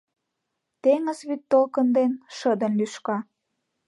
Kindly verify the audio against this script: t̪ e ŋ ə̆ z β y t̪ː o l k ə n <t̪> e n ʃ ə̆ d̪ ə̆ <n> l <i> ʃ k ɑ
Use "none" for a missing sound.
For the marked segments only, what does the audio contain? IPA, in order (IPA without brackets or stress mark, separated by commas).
d̪, n, y